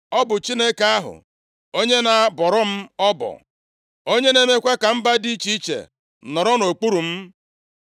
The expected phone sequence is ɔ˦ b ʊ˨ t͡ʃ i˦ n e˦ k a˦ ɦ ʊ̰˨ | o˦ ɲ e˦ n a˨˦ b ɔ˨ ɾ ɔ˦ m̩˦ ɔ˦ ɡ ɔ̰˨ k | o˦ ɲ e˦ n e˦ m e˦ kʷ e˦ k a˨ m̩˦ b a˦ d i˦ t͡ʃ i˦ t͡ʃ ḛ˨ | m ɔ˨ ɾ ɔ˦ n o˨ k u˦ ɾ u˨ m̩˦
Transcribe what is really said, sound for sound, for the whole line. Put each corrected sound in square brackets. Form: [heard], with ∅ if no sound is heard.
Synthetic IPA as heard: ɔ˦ b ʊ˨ t͡ʃ i˦ n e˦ k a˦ ɦ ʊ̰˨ | o˦ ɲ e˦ n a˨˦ b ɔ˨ ɾ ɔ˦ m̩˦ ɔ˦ [b] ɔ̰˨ [∅] | o˦ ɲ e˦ n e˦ m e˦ kʷ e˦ k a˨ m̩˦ b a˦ d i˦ t͡ʃ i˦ t͡ʃ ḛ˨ | [n] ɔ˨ ɾ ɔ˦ n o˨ [k͡p] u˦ ɾ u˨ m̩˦